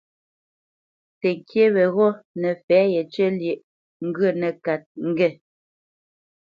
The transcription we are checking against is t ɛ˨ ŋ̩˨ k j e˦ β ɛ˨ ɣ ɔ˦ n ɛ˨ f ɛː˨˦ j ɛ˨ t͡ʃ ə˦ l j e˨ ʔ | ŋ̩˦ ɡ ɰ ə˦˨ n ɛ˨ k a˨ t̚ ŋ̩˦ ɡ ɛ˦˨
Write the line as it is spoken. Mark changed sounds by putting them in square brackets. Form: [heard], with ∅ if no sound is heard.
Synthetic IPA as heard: t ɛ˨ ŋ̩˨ k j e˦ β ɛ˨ ɣ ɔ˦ n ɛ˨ f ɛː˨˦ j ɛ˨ t͡ʃ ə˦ l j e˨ ʔ | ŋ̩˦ ɡ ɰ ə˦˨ n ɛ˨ k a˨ t̚ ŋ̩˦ ɡ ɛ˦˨